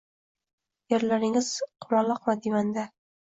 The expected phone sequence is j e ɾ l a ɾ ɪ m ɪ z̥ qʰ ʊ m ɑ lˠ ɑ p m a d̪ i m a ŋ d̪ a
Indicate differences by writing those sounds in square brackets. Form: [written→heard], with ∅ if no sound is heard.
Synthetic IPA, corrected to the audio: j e ɾ l a ɾ ɪ [m→ŋ] ɪ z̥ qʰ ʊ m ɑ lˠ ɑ [p→q] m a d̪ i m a [ŋ→n] d̪ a